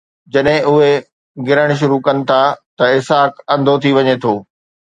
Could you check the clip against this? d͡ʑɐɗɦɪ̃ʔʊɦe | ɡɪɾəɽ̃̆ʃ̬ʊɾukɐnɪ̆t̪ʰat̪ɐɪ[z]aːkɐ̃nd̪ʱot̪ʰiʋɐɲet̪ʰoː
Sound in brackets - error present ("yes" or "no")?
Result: yes